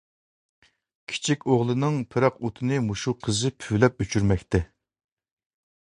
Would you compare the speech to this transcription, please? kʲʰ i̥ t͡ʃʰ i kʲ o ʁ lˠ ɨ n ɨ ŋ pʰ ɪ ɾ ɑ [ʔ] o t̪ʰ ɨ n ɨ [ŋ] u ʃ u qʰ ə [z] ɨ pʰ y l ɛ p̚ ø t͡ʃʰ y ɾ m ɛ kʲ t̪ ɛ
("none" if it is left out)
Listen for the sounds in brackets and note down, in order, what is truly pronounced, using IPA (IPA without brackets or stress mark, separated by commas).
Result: q, m, z